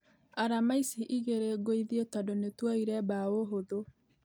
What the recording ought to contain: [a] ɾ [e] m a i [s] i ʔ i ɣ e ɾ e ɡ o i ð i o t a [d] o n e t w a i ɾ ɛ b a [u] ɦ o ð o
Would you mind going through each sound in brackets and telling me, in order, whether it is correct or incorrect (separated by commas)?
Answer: correct, incorrect, correct, correct, incorrect